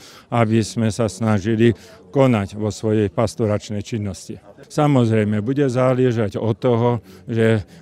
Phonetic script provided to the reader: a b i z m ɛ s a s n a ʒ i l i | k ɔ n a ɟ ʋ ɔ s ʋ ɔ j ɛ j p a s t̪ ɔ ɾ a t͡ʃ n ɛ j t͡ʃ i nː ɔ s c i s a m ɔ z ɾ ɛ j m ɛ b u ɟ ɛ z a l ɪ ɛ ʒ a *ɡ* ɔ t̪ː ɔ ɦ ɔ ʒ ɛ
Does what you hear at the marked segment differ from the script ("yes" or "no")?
yes